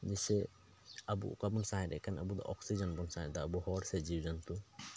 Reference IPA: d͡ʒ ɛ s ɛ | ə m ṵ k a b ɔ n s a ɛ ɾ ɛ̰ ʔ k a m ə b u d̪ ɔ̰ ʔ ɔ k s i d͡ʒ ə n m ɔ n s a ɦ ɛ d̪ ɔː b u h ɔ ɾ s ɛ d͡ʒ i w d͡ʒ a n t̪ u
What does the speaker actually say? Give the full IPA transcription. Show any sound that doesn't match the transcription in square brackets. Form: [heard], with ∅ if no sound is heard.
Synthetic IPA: d͡ʒ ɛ s ɛ | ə [b] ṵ k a b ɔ n s a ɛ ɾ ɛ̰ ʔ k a [n] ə b u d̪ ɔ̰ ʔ ɔ k s i d͡ʒ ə n [b] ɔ n s a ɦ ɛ d̪ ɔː b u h ɔ ɾ s ɛ d͡ʒ i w d͡ʒ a n t̪ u